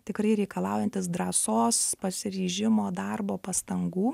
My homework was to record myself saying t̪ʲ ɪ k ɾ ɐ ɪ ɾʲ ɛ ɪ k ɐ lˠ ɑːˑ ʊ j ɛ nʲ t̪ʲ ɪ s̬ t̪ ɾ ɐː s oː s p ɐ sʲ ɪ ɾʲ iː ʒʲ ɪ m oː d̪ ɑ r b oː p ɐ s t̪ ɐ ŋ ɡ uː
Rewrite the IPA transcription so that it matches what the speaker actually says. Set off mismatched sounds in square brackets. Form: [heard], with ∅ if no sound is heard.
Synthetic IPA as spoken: t̪ʲ ɪ k ɾ ɐ ɪ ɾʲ ɛ ɪ k ɐ lˠ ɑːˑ ʊ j ɛ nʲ t̪ʲ ɪ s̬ [d̪] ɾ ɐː s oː s p ɐ sʲ ɪ ɾʲ iː ʒʲ ɪ m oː d̪ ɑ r b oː p ɐ s t̪ ɐ ŋ ɡ uː